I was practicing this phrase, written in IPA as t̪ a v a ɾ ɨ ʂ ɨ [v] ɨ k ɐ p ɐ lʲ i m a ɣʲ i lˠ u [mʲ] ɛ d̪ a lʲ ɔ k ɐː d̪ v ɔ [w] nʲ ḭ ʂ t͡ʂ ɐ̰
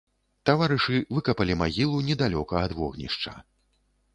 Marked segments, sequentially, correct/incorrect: correct, incorrect: nʲ, incorrect: ɣ

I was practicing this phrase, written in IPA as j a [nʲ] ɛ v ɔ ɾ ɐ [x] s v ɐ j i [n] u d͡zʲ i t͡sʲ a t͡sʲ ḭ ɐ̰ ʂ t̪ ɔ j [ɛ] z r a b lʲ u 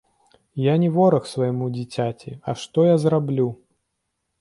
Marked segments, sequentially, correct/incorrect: correct, correct, incorrect: m, incorrect: a

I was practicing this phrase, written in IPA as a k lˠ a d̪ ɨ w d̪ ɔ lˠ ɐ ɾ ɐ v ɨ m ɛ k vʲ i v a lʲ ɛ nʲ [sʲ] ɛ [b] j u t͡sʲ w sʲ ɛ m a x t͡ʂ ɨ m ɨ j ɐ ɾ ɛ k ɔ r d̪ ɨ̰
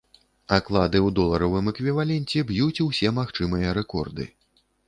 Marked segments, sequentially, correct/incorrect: incorrect: t͡sʲ, correct

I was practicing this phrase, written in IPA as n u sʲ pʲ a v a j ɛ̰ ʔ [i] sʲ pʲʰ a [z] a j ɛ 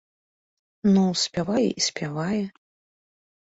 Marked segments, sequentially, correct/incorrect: correct, incorrect: v

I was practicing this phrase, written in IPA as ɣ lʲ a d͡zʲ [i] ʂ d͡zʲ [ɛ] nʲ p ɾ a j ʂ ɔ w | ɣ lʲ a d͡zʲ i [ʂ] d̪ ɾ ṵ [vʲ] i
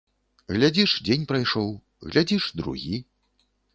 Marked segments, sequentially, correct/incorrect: correct, incorrect: e, correct, incorrect: ɣʲ

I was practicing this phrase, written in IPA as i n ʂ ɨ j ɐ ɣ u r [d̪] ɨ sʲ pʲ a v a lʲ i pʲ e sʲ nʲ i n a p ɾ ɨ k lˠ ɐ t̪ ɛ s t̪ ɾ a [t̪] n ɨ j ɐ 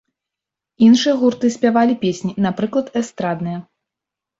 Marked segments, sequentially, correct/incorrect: incorrect: t̪, incorrect: d̪

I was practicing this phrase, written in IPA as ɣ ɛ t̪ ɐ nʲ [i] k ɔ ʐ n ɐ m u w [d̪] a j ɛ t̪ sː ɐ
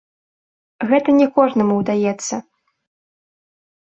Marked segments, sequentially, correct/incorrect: incorrect: ɛ, correct

